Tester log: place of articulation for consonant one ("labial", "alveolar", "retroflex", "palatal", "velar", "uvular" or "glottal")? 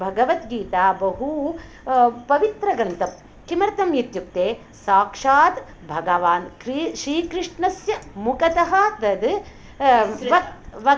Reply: labial